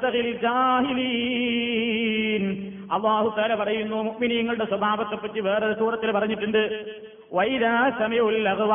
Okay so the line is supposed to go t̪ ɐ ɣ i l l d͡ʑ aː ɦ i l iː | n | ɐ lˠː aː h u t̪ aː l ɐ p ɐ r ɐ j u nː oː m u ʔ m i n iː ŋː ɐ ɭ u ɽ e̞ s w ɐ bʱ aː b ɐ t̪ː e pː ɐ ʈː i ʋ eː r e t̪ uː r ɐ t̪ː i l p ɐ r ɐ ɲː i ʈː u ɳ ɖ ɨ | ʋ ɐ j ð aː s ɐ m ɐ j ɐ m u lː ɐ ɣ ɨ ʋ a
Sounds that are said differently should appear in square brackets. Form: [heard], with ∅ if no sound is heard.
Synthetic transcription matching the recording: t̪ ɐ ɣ i l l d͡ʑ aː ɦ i l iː | n | ɐ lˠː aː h u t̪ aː l ɐ p ɐ r ɐ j u nː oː m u ʔ m i n iː ŋː ɐ ɭ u ɽ e̞ s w ɐ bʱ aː b ɐ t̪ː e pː ɐ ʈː i ʋ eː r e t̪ uː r ɐ t̪ː i l p ɐ r ɐ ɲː i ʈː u ɳ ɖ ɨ | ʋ ɐ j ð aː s ɐ m ɐ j ɐ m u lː ɐ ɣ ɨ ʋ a